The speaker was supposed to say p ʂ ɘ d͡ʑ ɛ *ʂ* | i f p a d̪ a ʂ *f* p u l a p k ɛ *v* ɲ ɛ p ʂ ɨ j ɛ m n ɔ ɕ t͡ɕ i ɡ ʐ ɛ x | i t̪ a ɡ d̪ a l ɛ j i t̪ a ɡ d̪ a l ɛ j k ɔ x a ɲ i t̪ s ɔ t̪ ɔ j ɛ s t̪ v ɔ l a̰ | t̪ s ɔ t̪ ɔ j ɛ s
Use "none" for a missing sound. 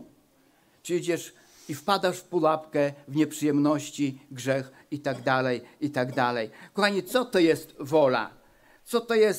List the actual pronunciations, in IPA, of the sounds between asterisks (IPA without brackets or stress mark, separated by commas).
ʂ, f, v